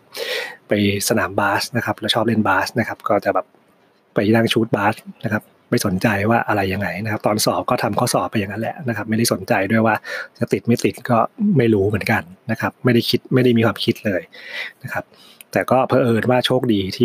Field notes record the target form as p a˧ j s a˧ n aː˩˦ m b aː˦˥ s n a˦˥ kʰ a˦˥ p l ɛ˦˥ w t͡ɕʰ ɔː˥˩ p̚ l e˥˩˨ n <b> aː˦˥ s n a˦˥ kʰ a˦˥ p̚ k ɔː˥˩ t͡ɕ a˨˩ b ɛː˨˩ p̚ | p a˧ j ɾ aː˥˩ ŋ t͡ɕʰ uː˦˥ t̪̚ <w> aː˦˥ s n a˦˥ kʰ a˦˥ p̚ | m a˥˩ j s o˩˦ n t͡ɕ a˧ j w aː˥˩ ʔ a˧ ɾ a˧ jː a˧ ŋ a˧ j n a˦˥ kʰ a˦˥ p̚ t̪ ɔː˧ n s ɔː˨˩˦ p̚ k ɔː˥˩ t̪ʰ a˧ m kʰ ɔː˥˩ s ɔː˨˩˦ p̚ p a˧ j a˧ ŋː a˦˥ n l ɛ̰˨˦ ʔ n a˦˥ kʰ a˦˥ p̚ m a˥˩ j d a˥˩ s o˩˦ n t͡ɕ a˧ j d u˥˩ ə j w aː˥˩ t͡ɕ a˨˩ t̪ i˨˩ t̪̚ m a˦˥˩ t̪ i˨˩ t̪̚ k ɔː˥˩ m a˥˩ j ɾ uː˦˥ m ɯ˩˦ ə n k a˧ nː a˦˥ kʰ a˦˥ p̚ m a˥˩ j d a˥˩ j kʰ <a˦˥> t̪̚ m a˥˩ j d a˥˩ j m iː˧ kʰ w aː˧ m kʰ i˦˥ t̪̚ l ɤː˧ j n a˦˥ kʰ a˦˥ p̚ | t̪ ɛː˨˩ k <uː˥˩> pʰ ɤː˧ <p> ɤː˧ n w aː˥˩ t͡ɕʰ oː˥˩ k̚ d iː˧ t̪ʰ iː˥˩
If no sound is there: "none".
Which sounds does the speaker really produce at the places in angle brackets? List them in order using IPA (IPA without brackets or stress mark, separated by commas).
b, b, i˦˥, ɔː˥˩, ʔ